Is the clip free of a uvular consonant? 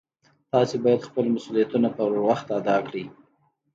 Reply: yes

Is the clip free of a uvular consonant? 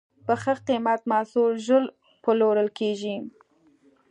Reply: no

